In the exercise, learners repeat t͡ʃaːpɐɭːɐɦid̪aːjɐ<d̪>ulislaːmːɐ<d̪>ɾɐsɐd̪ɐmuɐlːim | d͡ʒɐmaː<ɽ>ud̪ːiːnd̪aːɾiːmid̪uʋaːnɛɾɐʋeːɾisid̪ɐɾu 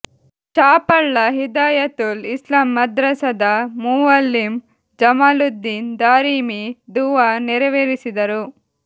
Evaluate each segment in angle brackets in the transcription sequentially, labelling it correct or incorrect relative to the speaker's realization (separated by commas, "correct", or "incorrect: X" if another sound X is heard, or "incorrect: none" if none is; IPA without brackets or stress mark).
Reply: incorrect: t̪, correct, incorrect: l